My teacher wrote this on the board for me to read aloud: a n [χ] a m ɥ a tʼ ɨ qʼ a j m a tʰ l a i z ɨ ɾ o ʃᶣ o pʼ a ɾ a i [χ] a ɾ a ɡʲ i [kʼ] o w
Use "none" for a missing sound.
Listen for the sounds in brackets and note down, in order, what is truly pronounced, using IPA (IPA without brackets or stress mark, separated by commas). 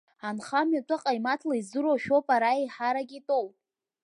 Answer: χ, ħ, tʼ